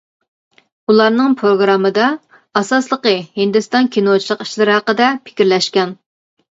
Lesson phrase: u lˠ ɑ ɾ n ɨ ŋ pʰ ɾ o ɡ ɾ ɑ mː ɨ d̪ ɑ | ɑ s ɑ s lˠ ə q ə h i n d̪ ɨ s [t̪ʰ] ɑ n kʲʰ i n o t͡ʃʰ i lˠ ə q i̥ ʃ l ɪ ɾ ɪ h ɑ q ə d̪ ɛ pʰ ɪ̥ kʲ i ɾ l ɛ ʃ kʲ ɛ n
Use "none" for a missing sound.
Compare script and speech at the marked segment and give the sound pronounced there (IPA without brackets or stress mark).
t̪